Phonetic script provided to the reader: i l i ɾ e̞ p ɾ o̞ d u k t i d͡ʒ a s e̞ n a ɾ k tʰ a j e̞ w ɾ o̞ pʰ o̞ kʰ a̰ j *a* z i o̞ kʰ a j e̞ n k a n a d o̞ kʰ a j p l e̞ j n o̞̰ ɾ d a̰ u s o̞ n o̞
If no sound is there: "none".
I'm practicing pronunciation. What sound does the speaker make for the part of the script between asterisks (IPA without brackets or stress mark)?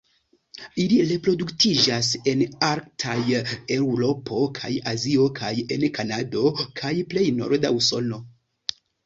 a